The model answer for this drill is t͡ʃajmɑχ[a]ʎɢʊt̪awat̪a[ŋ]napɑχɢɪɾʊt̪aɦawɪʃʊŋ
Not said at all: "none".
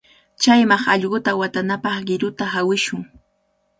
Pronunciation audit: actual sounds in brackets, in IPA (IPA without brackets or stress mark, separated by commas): ɑ, none